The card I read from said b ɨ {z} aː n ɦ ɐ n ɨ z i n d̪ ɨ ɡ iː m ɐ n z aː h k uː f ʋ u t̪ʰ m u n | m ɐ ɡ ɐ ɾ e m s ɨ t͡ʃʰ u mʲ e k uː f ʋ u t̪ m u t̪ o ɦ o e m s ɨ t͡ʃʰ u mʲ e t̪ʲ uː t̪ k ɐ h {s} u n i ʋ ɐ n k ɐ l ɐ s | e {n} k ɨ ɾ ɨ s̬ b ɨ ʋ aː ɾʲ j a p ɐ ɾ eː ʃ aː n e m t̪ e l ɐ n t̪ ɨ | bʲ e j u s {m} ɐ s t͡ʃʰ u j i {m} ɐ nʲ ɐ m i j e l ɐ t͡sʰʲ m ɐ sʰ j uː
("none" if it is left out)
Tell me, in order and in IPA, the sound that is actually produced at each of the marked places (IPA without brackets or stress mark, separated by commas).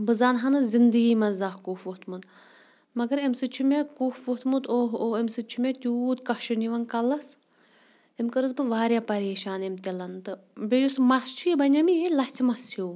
z, ʃ, m, m, b